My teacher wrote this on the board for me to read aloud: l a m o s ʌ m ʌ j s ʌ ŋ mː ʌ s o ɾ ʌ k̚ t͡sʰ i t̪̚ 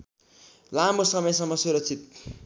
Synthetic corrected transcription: l a m o s ʌ m ʌ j s ʌ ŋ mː ʌ s u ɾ ʌ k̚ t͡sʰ i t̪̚